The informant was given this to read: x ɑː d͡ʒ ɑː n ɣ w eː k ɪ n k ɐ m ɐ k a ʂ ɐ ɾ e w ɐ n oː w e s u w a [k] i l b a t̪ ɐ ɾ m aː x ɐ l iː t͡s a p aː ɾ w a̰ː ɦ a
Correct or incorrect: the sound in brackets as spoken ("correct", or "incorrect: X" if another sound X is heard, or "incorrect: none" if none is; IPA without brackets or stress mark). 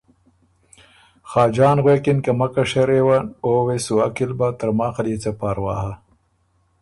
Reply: correct